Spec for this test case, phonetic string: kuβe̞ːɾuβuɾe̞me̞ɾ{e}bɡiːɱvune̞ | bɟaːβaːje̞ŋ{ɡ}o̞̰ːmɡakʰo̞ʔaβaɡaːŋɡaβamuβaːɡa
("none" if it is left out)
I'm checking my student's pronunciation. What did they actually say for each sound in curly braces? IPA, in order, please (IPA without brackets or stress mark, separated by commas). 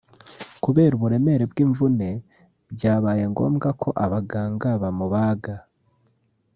e, ɡ